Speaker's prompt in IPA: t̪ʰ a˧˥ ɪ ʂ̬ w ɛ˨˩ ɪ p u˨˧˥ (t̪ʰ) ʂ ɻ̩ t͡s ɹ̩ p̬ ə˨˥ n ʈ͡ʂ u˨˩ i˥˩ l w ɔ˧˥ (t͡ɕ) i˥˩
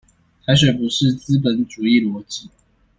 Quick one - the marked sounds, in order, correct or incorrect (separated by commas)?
incorrect, correct